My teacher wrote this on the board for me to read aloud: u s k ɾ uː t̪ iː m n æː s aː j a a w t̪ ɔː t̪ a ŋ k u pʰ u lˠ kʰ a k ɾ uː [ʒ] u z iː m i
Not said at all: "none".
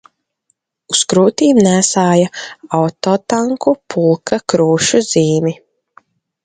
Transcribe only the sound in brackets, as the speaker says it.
ʃ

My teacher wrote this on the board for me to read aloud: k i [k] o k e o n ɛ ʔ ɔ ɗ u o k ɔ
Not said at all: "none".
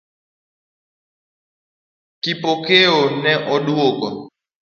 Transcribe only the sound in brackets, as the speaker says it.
p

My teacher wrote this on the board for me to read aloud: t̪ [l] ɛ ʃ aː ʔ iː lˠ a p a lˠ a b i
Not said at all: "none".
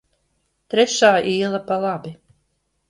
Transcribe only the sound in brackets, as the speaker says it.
ɾ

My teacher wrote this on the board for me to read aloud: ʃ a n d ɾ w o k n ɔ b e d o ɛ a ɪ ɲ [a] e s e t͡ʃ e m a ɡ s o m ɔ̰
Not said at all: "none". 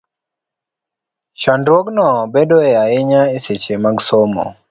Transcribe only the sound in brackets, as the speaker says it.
a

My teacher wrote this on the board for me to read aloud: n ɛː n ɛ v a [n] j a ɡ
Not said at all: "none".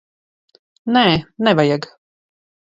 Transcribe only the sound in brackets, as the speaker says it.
none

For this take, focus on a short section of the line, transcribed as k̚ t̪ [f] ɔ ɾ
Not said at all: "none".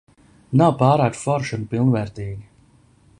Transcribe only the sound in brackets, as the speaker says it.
f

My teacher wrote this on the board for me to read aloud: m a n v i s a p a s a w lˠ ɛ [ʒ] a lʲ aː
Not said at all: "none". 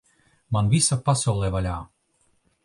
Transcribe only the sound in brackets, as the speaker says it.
v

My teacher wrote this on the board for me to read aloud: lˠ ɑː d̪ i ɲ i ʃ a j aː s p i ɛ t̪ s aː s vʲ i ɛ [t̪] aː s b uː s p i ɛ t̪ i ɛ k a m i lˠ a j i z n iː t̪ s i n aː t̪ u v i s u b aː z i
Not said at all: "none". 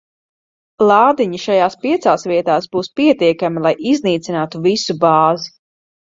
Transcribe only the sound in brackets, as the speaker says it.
t̪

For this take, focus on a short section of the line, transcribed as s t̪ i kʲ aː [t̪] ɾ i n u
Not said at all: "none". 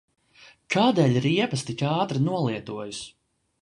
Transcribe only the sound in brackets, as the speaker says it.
t̪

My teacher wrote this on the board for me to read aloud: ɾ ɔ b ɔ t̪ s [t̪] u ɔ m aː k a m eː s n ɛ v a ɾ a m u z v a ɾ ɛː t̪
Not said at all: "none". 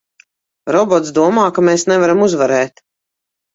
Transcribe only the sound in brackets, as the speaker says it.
d̪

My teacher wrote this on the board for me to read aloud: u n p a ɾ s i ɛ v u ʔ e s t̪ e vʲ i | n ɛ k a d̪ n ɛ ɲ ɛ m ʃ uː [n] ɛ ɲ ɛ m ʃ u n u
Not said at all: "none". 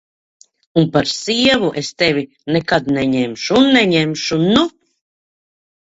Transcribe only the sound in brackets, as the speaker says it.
nː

